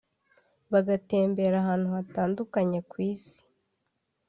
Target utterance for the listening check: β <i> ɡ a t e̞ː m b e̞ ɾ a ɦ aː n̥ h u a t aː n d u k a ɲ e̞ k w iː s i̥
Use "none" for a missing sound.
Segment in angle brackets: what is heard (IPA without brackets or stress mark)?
a